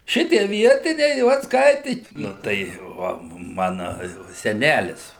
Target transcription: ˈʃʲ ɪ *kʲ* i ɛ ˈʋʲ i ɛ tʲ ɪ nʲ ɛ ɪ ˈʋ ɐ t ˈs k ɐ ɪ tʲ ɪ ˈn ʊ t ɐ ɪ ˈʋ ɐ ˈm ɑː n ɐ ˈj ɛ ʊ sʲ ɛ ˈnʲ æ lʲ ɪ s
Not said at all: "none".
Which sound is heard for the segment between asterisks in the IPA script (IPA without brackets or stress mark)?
tʲ